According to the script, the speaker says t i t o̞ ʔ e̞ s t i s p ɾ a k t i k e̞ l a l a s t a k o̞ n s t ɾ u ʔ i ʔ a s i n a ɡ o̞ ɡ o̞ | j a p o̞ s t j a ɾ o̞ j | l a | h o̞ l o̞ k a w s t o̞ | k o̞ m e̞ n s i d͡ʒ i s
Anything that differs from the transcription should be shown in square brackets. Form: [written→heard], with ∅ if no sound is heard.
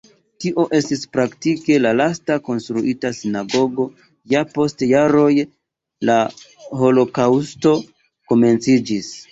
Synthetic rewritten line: t i [t→ʔ] o̞ ʔ e̞ s t i s p ɾ a k t i k e̞ l a l a s t a k o̞ n s t ɾ u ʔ i [ʔ→t] a s i n a ɡ o̞ ɡ o̞ | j a p o̞ s t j a ɾ o̞ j | l a | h o̞ l o̞ k a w s t o̞ | k o̞ m e̞ n [s→t͡s] i d͡ʒ i s